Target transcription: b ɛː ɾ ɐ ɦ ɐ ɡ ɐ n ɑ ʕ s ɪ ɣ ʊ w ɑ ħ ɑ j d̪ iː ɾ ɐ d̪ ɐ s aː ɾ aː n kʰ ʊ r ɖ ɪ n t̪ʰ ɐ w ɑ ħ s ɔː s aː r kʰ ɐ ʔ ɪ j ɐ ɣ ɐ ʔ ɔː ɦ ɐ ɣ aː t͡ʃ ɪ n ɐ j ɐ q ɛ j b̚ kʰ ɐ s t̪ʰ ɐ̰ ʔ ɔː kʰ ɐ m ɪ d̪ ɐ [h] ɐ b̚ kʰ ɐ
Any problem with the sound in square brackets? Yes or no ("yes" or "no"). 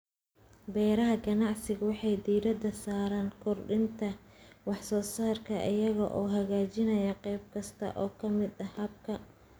no